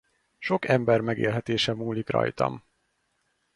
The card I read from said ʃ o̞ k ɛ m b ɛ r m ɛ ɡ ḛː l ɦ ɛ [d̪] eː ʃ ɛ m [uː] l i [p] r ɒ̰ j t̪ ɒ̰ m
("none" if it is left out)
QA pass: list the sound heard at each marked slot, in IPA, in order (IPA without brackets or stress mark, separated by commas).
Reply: t̪, uː, k